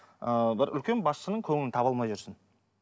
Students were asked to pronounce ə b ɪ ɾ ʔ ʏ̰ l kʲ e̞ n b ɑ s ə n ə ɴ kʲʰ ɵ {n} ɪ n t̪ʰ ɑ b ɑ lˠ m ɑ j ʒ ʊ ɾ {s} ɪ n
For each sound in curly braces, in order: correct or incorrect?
incorrect: ŋ, correct

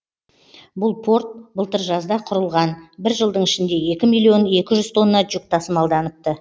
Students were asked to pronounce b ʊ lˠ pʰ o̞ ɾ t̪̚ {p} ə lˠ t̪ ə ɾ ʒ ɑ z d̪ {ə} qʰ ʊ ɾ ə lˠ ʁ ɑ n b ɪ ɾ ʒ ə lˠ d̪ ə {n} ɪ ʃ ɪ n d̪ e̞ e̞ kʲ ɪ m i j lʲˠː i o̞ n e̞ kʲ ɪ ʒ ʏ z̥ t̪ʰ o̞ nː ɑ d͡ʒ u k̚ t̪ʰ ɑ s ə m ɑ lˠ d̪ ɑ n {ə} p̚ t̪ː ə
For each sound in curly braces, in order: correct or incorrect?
incorrect: b, incorrect: ɑ, incorrect: ɴ, correct

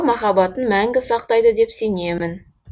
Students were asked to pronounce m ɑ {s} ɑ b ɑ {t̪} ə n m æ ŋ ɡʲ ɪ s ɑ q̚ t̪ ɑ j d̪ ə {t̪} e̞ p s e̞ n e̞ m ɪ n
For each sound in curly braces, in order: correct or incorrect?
incorrect: χ, correct, incorrect: d̪

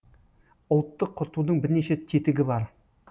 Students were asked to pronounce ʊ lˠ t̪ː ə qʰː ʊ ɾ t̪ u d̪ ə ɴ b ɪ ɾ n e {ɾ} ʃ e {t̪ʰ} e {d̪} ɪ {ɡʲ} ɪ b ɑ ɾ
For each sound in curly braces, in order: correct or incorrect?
incorrect: none, correct, incorrect: t̪, correct

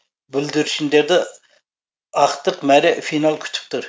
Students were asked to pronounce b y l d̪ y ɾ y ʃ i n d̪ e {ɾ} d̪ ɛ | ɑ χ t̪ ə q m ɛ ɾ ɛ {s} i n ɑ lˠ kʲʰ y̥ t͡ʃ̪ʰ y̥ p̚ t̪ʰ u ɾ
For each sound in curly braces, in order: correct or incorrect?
correct, incorrect: f

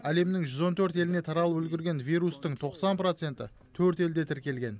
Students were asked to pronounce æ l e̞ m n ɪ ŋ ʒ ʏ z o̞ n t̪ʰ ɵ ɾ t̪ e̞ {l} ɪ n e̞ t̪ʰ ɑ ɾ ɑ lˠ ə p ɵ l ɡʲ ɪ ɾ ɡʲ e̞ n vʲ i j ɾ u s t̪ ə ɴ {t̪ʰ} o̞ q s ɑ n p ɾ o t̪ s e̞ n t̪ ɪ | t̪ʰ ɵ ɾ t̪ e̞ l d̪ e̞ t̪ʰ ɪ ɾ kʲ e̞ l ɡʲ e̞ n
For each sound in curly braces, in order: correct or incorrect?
correct, correct

